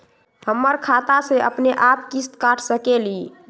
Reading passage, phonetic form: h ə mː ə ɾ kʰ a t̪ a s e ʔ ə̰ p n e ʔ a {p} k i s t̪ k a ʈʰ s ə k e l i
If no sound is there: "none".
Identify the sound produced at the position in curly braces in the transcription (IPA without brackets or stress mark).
p